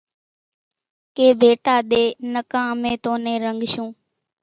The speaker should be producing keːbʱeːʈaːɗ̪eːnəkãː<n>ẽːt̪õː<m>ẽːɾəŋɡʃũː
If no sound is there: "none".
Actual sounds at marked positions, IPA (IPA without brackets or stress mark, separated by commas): m, n